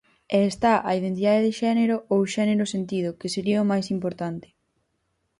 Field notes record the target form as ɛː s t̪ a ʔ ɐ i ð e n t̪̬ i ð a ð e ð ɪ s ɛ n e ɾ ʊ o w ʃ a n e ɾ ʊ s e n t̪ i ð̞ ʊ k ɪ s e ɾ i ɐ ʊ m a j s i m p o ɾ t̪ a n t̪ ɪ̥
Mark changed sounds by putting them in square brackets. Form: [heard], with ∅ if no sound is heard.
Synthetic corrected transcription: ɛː s t̪ a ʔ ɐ i ð e n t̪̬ i ð a ð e ð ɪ [ʃ] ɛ n e ɾ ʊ o w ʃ [ɛ] n e ɾ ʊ s e n t̪ i ð̞ ʊ k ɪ s e ɾ i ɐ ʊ m a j s i m p o ɾ t̪ a n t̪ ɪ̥